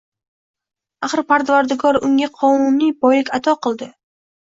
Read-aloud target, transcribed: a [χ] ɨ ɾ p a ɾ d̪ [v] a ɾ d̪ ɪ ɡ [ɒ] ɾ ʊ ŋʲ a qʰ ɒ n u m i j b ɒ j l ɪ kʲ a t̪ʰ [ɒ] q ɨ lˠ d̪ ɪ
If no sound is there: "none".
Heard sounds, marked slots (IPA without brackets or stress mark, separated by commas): χ, v, ɒ, ɒ